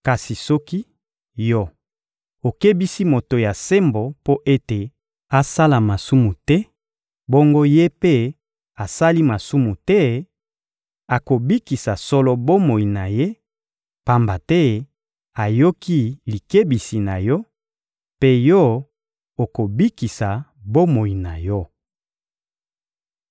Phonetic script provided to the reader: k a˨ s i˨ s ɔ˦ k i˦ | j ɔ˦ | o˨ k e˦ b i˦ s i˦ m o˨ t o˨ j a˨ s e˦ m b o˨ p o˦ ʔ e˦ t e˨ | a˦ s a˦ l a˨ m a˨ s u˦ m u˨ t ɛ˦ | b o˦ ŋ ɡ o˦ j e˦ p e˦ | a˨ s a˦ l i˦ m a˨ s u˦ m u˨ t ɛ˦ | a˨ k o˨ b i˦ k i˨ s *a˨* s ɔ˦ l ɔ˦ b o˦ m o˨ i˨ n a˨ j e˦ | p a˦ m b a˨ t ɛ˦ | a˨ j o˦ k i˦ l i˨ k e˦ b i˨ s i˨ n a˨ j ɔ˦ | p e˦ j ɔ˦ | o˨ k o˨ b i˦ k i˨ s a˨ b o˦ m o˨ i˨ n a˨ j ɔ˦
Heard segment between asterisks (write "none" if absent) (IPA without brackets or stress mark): a˨